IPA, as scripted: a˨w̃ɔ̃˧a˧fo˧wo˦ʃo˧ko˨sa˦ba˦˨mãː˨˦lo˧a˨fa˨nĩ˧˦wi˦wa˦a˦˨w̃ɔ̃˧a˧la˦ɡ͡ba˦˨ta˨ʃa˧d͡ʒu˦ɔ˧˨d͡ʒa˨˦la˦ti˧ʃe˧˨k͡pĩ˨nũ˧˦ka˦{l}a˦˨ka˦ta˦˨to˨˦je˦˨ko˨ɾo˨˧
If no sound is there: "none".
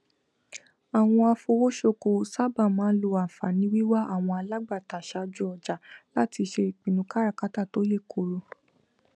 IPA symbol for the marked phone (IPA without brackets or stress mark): ɾ